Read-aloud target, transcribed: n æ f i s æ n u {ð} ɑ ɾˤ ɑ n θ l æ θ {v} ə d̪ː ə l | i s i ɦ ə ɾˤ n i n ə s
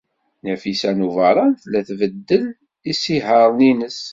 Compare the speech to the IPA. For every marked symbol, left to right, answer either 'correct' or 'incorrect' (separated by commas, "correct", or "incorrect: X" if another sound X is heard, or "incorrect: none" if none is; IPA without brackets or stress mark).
incorrect: v, correct